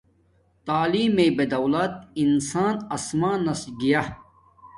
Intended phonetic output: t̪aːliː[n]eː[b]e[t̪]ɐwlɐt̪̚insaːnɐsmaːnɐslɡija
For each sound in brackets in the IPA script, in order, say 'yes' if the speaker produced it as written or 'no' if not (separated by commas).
no, yes, no